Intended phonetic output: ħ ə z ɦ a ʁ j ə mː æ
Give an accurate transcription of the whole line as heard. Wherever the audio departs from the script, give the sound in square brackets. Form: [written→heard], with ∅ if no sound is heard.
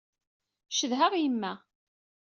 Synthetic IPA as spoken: [ħ→ʃ] ə [z→ð] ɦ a ʁ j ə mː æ